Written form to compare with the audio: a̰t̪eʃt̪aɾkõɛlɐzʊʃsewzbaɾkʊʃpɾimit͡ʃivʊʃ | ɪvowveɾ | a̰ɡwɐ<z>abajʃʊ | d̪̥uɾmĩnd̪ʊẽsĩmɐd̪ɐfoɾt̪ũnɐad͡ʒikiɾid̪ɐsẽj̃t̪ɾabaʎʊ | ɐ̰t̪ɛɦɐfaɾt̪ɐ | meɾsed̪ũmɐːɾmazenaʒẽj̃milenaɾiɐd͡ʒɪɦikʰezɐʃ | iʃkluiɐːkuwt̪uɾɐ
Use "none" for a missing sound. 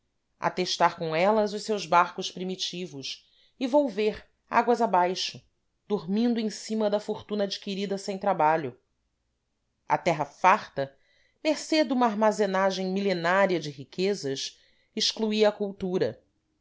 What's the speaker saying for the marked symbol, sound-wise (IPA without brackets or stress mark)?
z